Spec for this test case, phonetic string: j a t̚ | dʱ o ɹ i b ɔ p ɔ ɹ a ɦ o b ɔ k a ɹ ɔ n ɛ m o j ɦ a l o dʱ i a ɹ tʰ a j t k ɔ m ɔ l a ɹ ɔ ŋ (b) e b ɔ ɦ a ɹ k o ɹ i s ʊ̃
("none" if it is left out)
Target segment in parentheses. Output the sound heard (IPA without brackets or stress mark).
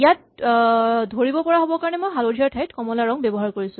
b